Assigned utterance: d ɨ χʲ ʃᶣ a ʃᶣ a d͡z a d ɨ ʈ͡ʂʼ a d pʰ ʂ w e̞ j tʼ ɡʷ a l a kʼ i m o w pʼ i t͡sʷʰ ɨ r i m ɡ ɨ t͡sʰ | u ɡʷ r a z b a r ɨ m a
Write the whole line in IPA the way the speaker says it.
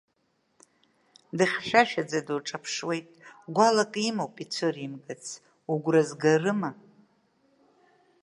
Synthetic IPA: d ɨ χʲ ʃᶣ a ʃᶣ a d͡z a d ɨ ʈ͡ʂʼ a pʰ ʂ w e̞ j tʼ ɡʷ a l a kʼ i m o w pʼ i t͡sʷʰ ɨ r i m ɡ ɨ t͡sʰ | u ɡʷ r a z ɡ a r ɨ m a